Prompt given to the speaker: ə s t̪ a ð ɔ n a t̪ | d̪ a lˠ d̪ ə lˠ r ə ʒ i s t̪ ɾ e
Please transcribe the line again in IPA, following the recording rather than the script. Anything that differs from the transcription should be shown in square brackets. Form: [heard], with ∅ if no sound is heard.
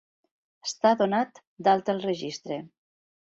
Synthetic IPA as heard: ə s t̪ a ð [o] n a t̪ | d̪ a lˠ [t̪] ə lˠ r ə ʒ i s t̪ ɾ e